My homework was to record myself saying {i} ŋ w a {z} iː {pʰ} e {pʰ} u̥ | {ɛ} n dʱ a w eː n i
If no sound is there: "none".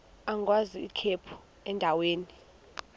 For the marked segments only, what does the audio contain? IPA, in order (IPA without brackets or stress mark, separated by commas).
a, z, kʰ, pʰ, ɛ